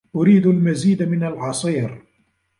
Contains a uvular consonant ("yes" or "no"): no